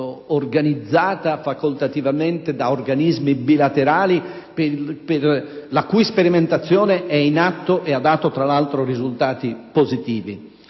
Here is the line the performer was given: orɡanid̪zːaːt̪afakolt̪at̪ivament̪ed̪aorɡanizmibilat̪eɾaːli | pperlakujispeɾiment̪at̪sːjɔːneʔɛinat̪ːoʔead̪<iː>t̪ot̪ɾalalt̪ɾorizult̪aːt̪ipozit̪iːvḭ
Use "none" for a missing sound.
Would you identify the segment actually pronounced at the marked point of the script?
aː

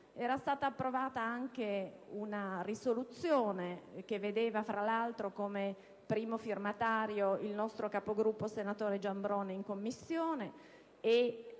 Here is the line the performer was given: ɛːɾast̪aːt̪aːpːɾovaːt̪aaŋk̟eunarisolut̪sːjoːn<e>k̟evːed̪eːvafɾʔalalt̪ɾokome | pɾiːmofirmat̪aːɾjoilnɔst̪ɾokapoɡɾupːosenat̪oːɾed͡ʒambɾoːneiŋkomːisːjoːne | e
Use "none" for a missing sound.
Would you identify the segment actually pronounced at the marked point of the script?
e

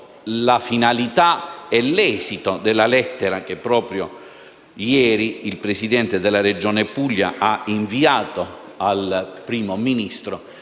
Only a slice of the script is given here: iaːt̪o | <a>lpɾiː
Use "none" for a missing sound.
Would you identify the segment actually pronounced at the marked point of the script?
a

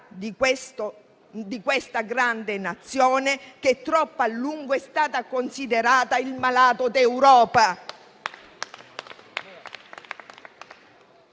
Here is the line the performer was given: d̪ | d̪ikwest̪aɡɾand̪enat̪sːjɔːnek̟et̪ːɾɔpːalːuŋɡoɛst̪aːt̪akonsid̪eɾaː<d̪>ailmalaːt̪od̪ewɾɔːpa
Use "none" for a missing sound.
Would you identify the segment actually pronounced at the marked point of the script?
t̪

